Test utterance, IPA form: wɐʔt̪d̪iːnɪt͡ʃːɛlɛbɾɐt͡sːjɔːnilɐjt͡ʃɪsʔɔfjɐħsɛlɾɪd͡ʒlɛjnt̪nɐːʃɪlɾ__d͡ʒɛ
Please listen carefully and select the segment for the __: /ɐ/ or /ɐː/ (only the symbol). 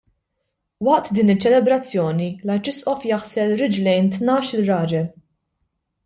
ɐː